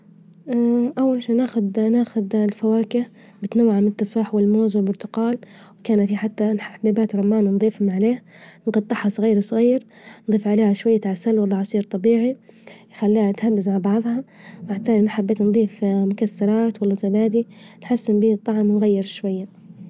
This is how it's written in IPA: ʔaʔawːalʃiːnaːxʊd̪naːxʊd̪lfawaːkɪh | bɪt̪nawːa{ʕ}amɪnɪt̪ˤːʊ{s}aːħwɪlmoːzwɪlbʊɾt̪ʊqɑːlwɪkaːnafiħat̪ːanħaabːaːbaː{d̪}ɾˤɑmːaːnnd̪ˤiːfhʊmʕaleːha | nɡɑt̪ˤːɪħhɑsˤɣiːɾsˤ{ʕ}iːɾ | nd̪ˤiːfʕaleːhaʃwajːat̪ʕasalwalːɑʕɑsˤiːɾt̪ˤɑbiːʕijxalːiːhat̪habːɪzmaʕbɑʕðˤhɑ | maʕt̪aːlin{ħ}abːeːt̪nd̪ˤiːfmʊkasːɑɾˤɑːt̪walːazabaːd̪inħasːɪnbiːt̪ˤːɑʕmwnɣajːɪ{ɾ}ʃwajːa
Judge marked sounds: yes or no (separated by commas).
yes, no, no, no, yes, yes